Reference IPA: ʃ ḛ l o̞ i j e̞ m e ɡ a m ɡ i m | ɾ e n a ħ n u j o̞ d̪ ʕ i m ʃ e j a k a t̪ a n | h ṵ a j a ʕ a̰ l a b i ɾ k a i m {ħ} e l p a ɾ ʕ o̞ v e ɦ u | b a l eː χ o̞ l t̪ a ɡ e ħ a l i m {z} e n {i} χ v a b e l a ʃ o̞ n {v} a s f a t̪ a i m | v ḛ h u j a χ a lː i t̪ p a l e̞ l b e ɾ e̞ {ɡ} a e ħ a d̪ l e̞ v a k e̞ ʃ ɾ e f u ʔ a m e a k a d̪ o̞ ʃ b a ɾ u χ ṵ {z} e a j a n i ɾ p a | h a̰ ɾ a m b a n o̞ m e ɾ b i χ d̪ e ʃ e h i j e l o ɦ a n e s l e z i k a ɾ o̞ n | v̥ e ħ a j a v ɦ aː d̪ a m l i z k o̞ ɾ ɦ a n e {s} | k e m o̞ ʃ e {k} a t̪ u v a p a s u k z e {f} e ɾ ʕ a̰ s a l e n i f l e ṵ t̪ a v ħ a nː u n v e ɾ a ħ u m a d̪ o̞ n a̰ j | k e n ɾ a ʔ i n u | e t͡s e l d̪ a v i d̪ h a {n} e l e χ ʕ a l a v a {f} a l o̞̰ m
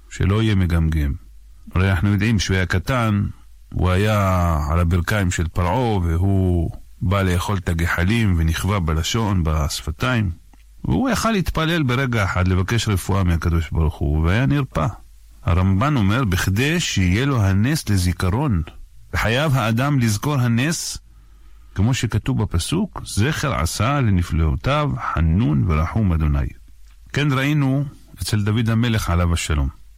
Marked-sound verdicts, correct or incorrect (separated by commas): incorrect, incorrect, correct, incorrect, correct, incorrect, correct, correct, incorrect, incorrect, incorrect